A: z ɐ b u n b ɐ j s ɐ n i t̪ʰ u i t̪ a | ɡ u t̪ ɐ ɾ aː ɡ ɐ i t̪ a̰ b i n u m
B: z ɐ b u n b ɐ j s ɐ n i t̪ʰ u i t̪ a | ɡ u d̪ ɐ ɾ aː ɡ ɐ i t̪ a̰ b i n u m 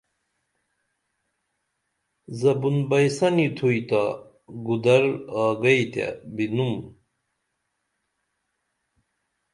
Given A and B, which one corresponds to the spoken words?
B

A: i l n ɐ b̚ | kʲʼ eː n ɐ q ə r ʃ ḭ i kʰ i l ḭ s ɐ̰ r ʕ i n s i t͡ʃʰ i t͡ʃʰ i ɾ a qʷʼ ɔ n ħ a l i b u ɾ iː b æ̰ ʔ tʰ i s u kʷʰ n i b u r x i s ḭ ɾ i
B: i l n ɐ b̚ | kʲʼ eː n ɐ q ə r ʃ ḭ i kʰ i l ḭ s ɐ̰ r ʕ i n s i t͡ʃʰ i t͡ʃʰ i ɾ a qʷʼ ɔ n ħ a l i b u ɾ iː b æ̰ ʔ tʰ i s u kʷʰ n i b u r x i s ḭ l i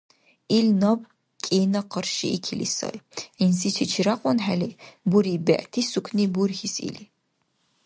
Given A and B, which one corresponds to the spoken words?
B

